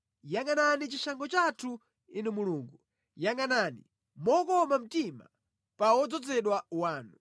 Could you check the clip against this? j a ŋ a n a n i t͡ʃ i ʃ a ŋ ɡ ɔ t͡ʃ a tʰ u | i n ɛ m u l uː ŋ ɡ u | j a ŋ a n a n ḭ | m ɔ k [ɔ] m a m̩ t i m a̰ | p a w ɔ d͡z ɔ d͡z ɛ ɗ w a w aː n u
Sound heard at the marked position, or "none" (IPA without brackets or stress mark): ɔ